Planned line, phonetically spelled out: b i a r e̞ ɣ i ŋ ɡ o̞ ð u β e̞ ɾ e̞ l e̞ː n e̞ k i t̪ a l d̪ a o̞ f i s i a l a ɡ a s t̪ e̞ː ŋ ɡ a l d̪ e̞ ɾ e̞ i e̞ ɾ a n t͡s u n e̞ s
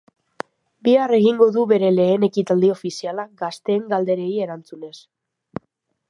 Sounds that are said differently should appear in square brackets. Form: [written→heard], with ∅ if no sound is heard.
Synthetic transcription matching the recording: b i a r e̞ ɣ i ŋ ɡ o̞ ð u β e̞ ɾ e̞ l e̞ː n e̞ k i t̪ a l d̪ [a→i] o̞ f i s i a l a ɡ a s t̪ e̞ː ŋ ɡ a l d̪ e̞ ɾ e̞ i e̞ ɾ a n t͡s u n e̞ s